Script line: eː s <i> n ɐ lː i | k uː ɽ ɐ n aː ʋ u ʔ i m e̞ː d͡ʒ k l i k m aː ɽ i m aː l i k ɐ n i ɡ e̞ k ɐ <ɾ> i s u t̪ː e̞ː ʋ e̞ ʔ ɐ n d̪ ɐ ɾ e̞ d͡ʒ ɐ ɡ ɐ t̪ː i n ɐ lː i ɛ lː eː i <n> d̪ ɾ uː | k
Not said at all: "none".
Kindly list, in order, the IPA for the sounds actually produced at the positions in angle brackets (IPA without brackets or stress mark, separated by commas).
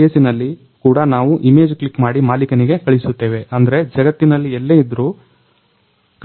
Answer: i, ɭ, none